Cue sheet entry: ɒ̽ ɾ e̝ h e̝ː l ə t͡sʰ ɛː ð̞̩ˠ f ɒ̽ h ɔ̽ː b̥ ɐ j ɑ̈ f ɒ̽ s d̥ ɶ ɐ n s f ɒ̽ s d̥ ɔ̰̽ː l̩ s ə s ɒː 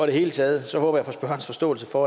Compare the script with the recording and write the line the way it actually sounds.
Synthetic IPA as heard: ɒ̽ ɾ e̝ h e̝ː l ə t͡sʰ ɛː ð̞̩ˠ s ɒ̽ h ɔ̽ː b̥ ɐ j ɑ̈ f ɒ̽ s b̥ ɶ ɐ n s f ɒ̽ s d̥ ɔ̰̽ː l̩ s ə f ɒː